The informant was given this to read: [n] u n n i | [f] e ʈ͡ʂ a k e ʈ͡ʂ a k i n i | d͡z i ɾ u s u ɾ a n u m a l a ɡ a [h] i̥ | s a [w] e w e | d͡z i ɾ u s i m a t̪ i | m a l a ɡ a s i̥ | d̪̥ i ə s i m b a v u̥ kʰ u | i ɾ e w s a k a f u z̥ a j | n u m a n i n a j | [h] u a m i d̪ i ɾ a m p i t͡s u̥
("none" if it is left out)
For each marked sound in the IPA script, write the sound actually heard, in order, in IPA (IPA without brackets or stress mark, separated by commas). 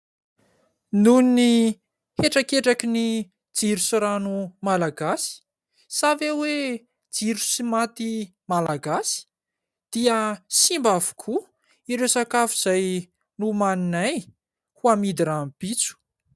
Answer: n, h, s, v, h